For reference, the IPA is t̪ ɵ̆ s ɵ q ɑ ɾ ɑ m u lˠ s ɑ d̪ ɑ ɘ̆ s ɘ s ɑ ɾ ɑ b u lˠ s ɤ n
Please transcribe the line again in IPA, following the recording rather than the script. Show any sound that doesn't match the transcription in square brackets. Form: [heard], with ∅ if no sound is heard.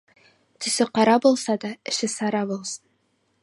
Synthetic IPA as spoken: t̪ ɵ̆ s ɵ q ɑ ɾ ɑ [b] u lˠ s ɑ d̪ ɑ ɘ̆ [ʃ] ɘ s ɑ ɾ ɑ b u lˠ s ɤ n

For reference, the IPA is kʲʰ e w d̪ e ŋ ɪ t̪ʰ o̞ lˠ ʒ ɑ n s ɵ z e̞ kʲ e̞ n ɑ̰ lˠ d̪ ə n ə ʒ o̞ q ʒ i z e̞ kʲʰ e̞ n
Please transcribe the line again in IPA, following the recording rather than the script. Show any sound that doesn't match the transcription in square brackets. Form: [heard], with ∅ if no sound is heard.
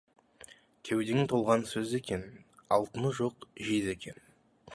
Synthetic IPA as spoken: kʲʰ e w d̪ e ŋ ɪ t̪ʰ o̞ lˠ [ʁ] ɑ n s ɵ z e̞ kʲ e̞ n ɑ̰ lˠ [t̪] ə n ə ʒ o̞ q ʒ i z e̞ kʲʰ e̞ n

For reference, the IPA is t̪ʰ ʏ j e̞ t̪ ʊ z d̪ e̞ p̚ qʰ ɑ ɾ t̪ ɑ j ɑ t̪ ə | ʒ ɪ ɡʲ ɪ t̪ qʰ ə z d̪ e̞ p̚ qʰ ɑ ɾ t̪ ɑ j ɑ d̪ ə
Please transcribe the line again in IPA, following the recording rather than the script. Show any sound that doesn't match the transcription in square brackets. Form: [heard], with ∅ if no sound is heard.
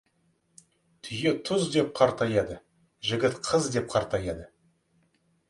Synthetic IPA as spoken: t̪ʰ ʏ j e̞ [t̪ʰ] ʊ z d̪ e̞ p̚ qʰ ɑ ɾ t̪ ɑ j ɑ [d̪] ə | ʒ ɪ ɡʲ ɪ t̪ qʰ ə z d̪ e̞ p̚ qʰ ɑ ɾ t̪ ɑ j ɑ d̪ ə

